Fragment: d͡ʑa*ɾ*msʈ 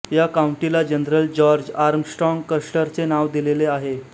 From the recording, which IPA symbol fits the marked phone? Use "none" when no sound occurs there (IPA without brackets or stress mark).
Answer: ɾ